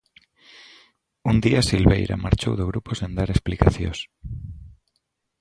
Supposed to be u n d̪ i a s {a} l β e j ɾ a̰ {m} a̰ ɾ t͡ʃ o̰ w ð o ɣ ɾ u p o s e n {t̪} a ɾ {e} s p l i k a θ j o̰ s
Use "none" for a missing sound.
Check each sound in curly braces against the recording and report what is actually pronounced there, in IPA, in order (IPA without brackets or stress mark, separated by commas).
i, m, d̪, e